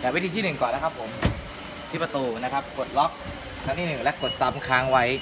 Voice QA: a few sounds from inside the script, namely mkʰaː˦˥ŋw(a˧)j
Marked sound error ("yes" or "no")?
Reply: yes